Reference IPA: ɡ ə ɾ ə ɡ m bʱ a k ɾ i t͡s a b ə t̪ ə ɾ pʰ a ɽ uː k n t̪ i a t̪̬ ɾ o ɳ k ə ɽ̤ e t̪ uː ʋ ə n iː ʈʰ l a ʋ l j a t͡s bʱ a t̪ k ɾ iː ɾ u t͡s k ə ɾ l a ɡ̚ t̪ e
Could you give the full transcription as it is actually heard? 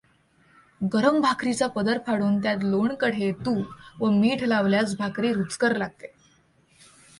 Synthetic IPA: ɡ ə ɾ ə m bʱ a k ɾ i t͡s a p ə d̪ ə ɾ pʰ a ɽ uː n t̪ j a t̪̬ l o ɳ k ə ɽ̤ e t̪ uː ʋ ə m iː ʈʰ l a ʋ l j a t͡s bʱ a k ɾ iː ɾ u t͡s k ə ɾ l a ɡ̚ t̪ e

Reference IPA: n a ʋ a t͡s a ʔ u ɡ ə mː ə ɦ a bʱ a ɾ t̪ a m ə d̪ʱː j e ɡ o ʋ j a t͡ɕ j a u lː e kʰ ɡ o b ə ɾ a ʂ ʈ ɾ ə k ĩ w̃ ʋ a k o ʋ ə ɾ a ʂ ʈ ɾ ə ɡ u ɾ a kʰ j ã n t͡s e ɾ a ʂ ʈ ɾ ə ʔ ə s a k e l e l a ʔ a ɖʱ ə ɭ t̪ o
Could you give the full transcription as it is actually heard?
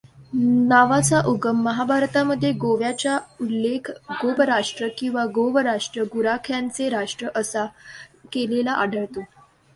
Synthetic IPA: n a ʋ a t͡s a ʔ u ɡ ə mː ə ɦ a bʱ a ɾ t̪ a m ə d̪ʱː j e ɡ o ʋ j a t͡ɕ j a u lː e kʰ ɡ o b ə ɾ a ʂ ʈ ɾ ə k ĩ w̃ ʋ a ɡ o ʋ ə ɾ a ʂ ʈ ɾ ə ɡ u ɾ a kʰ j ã n t͡s e ɾ a ʂ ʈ ɾ ə ʔ ə s a k e l e l a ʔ a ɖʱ ə ɭ t̪ o

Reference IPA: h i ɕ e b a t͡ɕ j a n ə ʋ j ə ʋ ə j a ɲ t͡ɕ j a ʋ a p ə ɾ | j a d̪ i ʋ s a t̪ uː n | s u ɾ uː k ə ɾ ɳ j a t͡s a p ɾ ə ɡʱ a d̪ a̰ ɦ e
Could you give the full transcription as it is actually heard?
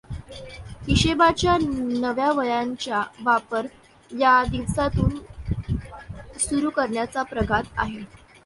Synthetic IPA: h i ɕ e b a t͡ɕ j a n ə ʋ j a ʋ ə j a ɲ t͡ɕ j a ʋ a p ə ɾ | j a d̪ i ʋ s a t̪ uː n | s u ɾ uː k ə ɾ ɳ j a t͡s a p ɾ ə ɡʱ a t̪ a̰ ɦ e

